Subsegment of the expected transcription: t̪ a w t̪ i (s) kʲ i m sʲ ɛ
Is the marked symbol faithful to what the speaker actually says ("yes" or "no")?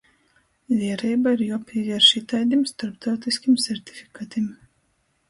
yes